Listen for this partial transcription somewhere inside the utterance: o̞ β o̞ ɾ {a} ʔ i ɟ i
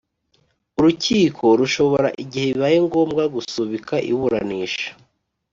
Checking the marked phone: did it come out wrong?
no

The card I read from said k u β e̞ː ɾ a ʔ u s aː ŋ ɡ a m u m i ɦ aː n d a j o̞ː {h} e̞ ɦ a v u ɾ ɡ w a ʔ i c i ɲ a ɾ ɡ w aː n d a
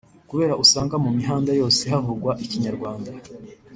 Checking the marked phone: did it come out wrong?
yes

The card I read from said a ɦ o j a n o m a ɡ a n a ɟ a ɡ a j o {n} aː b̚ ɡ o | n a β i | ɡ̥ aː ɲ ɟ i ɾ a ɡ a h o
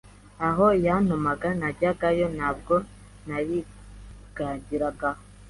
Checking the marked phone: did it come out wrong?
no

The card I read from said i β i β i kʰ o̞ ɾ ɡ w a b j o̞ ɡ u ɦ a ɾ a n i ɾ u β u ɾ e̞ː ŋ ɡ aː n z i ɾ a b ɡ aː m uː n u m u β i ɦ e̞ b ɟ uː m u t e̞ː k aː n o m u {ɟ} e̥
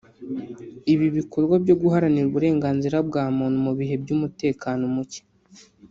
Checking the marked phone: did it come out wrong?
yes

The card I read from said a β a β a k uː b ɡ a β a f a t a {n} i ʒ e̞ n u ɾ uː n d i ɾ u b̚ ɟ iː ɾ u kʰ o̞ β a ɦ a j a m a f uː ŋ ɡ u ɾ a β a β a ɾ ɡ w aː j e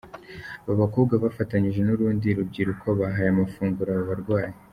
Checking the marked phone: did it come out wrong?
yes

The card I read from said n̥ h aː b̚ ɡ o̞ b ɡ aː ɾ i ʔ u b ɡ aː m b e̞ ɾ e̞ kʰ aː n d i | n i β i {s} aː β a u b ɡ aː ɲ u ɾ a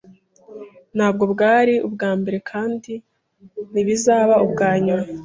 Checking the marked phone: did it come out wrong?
yes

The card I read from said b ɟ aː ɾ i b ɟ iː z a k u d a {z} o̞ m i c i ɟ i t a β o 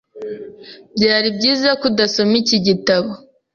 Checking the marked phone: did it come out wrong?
yes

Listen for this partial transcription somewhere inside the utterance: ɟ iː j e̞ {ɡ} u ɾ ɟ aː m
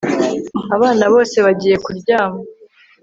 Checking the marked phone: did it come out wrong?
yes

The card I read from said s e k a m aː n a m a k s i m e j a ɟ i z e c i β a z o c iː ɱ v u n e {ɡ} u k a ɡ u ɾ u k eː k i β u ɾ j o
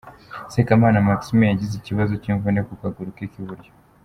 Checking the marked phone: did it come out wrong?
yes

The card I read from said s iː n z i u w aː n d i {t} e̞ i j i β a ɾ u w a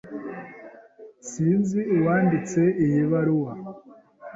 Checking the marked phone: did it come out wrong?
yes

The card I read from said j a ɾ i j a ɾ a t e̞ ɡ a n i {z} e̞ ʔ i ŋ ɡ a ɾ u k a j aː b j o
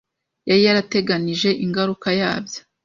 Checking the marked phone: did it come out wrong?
yes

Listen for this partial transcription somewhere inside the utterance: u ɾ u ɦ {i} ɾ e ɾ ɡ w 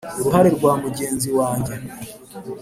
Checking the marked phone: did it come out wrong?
yes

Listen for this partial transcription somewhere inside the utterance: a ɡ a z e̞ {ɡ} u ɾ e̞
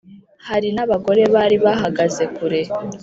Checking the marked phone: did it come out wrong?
yes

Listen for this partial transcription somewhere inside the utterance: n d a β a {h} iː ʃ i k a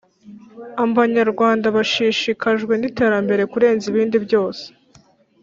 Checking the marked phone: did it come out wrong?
yes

